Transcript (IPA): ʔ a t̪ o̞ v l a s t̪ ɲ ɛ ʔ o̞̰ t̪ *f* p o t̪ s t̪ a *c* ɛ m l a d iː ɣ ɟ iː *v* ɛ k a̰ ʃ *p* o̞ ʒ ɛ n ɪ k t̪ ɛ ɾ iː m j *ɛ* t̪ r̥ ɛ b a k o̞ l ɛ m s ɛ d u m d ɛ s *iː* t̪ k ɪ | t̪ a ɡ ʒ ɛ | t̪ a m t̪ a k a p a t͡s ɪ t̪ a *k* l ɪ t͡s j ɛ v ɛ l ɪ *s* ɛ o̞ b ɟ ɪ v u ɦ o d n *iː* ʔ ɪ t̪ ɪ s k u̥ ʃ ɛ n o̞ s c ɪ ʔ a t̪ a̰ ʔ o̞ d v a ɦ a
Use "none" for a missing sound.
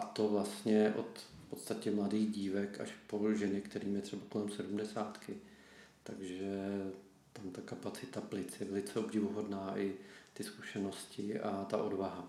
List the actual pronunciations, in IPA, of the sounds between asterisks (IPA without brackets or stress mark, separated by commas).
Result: f, c, v, p, ɛ, aː, p, t͡s, aː